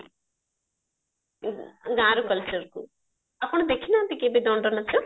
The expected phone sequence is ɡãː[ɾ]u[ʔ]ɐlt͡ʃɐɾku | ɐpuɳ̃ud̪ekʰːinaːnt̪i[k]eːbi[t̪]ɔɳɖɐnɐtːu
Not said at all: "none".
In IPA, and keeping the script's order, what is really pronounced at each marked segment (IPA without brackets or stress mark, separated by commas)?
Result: ɾ, k, k, d̪